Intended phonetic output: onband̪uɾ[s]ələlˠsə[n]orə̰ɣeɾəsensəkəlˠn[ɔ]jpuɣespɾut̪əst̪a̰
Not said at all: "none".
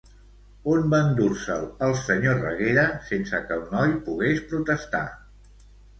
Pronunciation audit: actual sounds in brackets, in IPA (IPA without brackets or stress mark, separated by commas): s, ɲ, ɔ